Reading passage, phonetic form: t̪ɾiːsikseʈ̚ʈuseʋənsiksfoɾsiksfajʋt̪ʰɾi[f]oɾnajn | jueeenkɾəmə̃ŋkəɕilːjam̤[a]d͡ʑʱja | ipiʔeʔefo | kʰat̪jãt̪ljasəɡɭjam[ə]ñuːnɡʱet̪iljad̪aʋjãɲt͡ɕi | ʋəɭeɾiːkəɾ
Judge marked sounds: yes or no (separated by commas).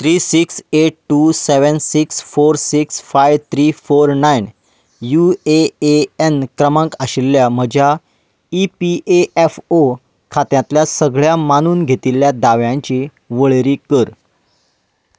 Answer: yes, no, no